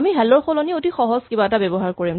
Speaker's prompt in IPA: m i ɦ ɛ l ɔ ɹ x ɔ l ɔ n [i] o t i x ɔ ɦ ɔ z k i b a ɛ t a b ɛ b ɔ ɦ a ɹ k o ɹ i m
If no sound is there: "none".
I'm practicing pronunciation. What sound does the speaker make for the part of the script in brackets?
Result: i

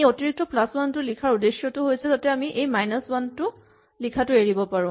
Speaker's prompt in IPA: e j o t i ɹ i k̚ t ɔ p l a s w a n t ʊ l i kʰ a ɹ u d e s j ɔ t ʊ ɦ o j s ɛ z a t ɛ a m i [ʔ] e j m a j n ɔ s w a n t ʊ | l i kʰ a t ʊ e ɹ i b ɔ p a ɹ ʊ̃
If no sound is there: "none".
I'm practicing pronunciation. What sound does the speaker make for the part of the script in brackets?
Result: ʔ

